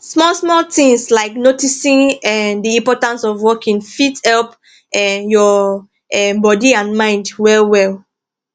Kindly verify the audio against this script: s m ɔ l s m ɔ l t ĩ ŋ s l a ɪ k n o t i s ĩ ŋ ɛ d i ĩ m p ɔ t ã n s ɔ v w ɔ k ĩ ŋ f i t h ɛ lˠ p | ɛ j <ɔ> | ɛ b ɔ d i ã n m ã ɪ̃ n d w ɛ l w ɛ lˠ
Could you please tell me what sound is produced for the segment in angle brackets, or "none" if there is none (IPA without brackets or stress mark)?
ɔ